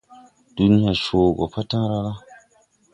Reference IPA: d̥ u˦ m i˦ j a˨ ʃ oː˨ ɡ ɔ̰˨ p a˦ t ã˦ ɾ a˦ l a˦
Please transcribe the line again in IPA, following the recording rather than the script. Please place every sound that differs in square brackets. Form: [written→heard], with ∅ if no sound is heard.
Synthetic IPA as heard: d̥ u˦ [m→n] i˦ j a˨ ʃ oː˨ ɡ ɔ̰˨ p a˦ t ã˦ ɾ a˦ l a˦